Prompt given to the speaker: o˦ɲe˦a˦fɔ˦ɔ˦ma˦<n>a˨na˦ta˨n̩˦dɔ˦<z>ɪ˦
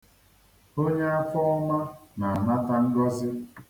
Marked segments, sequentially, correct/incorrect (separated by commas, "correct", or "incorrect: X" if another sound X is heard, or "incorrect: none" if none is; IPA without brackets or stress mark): correct, correct